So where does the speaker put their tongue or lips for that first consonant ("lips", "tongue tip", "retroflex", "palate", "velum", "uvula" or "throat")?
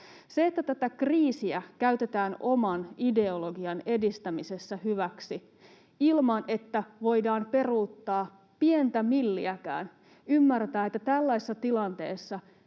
tongue tip